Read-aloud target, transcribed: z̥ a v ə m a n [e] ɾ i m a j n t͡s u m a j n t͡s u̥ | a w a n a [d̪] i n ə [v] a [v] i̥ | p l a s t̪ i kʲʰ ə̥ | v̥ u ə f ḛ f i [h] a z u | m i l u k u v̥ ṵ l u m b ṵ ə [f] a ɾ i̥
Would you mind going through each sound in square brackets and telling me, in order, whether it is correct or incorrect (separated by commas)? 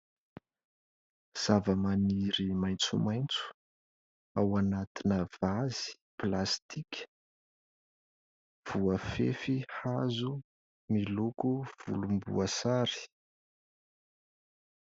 incorrect, incorrect, correct, incorrect, correct, incorrect